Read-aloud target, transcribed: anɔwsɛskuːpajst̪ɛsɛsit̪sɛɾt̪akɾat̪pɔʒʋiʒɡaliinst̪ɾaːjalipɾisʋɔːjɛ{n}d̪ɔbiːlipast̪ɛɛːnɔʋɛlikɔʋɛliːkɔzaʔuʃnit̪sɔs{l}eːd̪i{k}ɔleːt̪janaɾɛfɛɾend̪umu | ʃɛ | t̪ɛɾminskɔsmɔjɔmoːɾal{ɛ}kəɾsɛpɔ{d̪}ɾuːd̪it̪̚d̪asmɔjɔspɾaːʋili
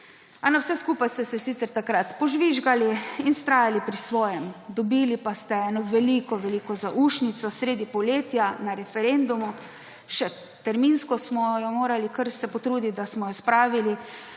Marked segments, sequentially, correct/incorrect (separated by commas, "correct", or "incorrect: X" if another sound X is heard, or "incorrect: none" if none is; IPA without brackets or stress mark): incorrect: m, incorrect: ɾ, incorrect: p, incorrect: i, incorrect: t̪